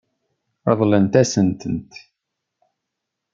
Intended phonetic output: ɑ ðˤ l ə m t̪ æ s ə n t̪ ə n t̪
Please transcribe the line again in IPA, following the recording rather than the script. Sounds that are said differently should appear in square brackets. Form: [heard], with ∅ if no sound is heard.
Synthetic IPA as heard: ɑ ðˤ l ə [n] t̪ æ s ə n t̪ ə n t̪